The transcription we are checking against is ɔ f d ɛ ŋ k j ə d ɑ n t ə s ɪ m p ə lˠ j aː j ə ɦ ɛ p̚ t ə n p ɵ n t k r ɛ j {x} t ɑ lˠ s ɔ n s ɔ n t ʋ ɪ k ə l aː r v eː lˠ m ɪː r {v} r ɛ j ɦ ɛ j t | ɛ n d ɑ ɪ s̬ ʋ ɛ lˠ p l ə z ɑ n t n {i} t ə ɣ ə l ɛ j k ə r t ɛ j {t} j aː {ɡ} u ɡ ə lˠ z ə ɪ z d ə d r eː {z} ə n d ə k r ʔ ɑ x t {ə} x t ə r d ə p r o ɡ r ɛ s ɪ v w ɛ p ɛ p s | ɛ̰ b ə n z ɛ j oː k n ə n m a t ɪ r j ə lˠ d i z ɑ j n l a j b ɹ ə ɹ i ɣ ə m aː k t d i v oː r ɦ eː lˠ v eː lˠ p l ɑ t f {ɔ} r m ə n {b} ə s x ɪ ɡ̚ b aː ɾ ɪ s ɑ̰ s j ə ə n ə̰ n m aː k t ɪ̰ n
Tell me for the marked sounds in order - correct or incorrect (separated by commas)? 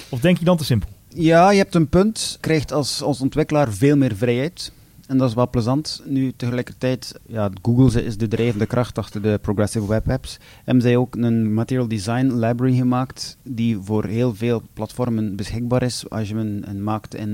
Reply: correct, correct, incorrect, correct, correct, incorrect, incorrect, correct, correct